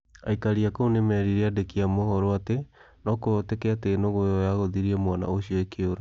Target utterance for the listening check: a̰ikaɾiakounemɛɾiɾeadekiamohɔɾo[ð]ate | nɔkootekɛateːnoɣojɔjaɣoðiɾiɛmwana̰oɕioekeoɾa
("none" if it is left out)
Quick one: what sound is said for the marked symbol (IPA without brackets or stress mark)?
none